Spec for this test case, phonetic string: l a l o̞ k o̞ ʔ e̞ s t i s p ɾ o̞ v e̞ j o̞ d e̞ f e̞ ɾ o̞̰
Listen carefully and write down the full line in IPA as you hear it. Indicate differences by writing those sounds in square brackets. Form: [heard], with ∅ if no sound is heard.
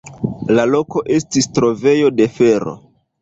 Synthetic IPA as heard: l a l o̞ k o̞ ʔ e̞ s t i s [t] ɾ o̞ v e̞ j o̞ d e̞ f e̞ ɾ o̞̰